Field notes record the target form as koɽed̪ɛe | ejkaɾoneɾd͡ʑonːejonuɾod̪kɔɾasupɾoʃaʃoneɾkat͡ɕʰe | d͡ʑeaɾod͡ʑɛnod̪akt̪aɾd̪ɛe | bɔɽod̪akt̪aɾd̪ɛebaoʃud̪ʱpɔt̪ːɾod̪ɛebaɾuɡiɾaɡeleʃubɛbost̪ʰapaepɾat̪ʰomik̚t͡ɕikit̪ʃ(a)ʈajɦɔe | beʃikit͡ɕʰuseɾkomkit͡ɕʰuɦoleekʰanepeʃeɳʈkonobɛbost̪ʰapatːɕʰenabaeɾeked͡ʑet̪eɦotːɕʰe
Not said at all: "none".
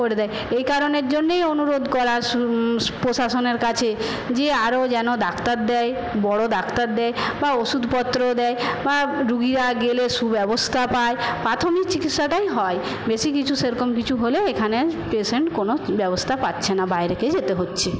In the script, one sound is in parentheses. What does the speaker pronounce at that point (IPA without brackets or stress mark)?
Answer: a